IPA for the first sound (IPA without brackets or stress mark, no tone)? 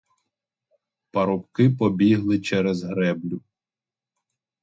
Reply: p